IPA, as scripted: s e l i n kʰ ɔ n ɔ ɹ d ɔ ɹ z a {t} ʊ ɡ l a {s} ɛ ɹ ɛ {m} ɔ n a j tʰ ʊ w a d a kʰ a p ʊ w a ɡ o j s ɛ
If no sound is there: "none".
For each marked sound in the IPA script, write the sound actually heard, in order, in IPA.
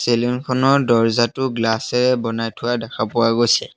t, s, b

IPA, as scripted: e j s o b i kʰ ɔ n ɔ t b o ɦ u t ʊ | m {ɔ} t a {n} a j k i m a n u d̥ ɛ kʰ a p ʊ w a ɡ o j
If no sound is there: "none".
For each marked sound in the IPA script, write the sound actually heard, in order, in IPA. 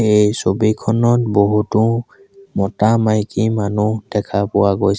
ɔ, m

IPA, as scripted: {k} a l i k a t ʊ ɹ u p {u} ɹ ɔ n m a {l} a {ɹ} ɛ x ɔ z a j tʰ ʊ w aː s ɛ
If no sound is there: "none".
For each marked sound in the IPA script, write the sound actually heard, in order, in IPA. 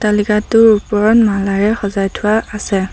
t, ɔ, l, ɹ

